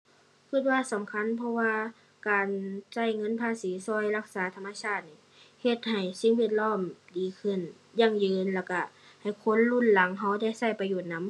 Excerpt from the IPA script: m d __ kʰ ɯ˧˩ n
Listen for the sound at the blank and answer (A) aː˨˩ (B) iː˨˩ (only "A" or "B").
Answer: B